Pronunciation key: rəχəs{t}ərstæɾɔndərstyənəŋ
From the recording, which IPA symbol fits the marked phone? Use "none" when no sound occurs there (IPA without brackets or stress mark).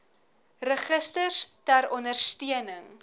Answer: t